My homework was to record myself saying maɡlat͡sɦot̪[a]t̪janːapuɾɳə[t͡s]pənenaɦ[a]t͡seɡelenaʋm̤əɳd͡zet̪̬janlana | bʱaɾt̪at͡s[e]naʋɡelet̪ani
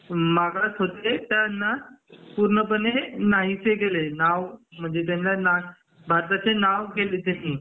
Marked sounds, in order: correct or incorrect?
incorrect, incorrect, incorrect, correct

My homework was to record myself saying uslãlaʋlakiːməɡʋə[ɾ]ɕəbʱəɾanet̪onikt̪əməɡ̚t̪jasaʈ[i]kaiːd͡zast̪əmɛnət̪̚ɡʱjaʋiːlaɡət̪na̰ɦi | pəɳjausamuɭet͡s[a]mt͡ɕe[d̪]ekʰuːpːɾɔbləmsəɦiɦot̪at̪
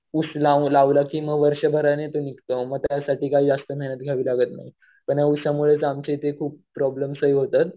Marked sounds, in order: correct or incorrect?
correct, incorrect, correct, incorrect

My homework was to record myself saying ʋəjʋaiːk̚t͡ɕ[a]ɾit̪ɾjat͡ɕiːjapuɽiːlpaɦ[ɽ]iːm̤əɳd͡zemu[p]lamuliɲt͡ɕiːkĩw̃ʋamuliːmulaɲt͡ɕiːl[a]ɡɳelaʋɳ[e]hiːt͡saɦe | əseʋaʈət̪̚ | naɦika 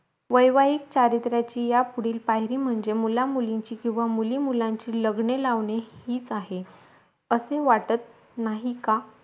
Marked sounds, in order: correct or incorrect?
correct, incorrect, incorrect, incorrect, correct

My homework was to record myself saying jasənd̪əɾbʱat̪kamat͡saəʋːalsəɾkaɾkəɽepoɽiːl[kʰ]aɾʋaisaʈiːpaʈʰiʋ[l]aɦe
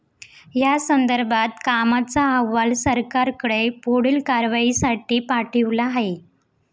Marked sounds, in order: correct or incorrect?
incorrect, correct

